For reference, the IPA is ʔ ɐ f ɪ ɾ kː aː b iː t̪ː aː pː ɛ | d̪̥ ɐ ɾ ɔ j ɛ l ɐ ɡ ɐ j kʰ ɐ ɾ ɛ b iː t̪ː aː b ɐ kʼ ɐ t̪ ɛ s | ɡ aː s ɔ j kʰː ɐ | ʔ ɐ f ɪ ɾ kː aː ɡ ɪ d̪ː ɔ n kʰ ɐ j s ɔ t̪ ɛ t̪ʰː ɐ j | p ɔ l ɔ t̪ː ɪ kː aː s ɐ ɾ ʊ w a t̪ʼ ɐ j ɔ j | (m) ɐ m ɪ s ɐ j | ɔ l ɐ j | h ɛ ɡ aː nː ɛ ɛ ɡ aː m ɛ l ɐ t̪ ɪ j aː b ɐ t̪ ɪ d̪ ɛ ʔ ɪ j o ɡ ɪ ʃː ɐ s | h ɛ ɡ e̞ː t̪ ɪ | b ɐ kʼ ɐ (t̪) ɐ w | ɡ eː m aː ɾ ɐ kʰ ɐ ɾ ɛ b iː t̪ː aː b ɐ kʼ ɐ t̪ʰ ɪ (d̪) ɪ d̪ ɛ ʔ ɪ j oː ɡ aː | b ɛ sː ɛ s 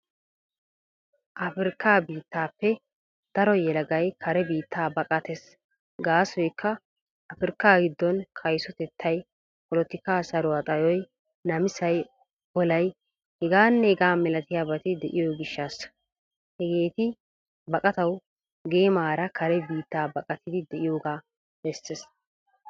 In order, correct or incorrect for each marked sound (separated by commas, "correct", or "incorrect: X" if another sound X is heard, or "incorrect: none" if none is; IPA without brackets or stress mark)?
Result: incorrect: n, correct, correct